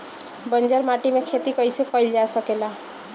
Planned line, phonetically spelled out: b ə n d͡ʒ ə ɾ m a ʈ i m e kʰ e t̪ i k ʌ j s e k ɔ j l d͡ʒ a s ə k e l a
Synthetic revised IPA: b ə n d͡ʒ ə ɾ m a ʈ i m e kʰ e t̪ i k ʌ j s e k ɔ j l d͡ʒ a s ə k e l a